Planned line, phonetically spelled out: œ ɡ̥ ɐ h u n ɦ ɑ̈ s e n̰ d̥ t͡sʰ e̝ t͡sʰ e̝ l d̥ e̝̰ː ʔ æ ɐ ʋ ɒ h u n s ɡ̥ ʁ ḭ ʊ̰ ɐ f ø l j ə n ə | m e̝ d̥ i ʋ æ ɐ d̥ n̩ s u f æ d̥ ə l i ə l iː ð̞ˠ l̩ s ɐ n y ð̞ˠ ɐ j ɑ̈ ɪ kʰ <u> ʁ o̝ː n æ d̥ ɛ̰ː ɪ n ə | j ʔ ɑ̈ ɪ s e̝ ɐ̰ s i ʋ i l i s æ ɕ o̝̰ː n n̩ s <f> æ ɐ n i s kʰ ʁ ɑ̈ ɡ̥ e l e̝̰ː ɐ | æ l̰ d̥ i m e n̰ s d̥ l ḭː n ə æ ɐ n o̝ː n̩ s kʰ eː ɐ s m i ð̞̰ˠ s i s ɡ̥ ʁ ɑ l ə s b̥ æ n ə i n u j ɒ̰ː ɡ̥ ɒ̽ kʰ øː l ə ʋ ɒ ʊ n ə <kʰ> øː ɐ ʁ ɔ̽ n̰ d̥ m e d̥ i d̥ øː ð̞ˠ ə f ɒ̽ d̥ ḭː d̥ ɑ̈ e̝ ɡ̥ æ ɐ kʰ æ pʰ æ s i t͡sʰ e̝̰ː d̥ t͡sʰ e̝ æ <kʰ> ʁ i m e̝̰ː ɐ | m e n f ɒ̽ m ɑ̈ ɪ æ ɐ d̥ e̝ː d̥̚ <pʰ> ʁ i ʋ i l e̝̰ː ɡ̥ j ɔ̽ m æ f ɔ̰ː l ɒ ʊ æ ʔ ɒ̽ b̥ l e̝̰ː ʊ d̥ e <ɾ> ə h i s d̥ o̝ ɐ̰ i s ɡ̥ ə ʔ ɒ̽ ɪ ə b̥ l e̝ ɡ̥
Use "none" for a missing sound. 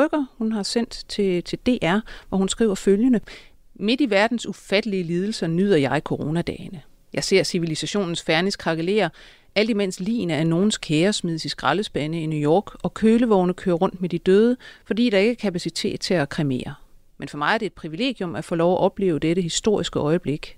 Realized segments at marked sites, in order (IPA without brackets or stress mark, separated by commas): o, f, kʰ, kʰ, pʰ, ɾ